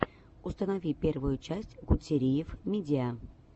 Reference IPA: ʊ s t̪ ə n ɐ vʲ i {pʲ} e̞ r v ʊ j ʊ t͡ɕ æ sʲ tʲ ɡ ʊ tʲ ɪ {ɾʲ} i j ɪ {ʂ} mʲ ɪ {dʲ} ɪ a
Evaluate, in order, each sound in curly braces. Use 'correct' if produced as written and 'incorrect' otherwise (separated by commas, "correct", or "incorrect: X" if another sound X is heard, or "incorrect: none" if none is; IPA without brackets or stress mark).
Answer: correct, correct, incorrect: f, correct